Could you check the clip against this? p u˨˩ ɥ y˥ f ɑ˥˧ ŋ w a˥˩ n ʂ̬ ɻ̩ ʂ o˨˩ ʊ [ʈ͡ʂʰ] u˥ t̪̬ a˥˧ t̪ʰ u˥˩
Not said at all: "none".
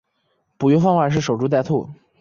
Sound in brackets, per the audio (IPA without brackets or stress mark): ʈ͡ʂ